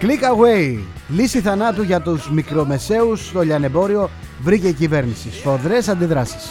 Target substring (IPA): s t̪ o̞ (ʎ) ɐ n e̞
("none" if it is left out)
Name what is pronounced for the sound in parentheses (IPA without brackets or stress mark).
ʎ